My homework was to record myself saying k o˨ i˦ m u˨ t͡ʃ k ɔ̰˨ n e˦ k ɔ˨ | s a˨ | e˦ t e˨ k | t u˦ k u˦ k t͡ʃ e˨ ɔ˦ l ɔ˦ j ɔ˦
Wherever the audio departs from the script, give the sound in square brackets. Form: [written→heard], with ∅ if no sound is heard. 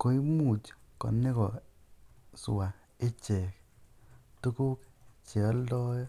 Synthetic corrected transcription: k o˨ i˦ m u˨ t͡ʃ k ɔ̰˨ n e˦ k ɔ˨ | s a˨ | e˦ [t→t͡ʃ] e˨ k | t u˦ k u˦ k t͡ʃ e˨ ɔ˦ l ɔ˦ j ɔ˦